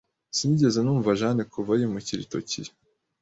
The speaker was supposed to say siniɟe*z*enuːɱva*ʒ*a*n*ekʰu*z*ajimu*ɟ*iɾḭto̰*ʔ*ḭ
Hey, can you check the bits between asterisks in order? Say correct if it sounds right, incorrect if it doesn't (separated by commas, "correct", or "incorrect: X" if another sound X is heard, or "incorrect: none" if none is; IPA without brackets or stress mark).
correct, correct, correct, incorrect: v, incorrect: c, incorrect: c